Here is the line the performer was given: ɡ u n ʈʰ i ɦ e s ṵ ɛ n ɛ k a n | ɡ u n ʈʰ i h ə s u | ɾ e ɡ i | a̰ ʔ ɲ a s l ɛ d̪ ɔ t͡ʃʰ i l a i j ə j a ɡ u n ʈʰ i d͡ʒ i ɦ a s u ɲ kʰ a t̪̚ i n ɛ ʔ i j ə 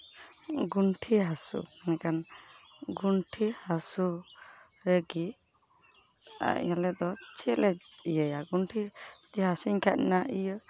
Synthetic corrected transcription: ɡ u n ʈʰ i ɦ a s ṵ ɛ n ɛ k a n | ɡ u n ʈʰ i h a s u | ɾ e ɡ i | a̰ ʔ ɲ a l ɛ d̪ ɔ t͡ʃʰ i l ɛ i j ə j a ɡ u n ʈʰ i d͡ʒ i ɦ a s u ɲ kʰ a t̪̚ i n a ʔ i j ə